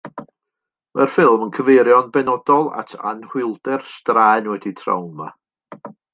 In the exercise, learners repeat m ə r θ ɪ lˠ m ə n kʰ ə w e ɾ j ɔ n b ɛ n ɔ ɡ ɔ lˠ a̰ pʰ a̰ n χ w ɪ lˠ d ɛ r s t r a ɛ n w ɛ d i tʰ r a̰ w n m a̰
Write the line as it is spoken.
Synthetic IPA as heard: m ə r f ɪ lˠ m ə n kʰ ə v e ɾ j ɔ n b ɛ n ɔ d ɔ lˠ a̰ tʰ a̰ n h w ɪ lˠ d ɛ r s t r a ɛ n w ɛ d i tʰ r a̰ w n m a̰